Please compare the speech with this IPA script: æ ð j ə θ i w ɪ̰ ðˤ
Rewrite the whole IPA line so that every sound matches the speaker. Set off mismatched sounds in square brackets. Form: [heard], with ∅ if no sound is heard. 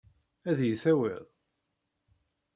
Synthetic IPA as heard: æ ð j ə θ [æ] w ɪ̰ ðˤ